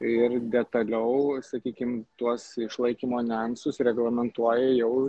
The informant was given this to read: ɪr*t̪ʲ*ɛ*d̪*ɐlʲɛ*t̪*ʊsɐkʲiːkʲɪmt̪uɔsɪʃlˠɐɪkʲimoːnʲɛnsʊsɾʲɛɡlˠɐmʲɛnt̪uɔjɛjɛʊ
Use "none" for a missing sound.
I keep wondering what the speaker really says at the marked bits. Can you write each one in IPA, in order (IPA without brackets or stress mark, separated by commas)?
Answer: d̪ʲ, t̪, none